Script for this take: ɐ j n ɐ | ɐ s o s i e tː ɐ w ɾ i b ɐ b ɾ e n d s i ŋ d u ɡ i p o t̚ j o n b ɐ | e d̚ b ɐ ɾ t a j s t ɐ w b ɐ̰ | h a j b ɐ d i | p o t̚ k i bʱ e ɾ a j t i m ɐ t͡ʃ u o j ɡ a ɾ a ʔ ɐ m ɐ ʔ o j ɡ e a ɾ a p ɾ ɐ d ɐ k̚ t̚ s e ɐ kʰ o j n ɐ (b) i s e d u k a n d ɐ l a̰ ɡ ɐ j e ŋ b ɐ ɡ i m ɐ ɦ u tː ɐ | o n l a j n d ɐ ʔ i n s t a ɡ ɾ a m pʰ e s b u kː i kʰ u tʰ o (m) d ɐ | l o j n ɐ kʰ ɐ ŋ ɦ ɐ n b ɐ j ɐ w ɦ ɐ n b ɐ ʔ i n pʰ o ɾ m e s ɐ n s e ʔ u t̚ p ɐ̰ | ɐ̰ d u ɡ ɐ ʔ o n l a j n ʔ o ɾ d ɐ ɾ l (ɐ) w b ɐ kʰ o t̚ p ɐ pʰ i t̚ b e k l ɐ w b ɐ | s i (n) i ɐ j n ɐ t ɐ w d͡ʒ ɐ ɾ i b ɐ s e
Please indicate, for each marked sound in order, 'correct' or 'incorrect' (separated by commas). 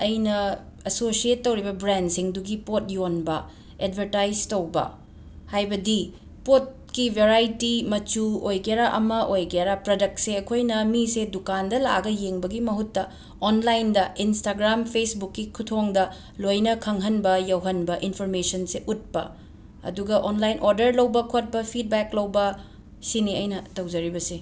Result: incorrect, incorrect, correct, correct